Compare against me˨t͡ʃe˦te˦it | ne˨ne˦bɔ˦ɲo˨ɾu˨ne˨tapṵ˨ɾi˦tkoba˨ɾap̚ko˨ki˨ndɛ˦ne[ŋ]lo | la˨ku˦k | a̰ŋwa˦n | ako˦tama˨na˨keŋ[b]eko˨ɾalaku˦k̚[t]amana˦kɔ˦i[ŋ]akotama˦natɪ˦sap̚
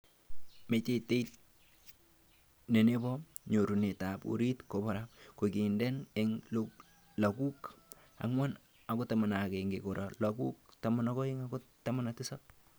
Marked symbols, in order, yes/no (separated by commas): yes, no, yes, yes